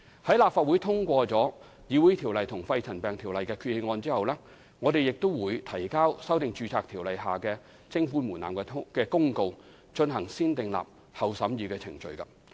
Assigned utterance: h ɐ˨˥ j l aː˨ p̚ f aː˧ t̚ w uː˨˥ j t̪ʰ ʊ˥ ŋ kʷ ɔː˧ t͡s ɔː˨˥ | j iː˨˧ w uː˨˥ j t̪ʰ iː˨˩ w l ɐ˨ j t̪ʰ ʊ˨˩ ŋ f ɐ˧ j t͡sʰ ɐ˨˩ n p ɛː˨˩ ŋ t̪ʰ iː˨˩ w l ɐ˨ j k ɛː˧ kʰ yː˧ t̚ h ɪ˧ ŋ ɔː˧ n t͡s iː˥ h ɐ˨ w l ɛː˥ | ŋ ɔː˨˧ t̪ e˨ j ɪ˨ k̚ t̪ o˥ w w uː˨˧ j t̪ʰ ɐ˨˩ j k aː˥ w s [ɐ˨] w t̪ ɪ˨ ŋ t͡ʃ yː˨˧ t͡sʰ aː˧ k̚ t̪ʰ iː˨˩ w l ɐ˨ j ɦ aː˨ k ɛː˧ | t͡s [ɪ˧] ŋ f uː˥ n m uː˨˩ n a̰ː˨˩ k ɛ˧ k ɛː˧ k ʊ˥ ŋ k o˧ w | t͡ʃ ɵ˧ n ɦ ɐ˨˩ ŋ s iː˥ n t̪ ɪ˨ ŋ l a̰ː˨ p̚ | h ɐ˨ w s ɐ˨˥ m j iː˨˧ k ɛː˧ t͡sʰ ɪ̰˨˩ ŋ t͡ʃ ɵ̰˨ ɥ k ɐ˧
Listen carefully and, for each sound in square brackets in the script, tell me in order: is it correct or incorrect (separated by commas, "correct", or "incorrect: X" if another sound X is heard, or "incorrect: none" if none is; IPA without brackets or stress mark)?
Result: incorrect: ɐ˥, incorrect: ɪ˥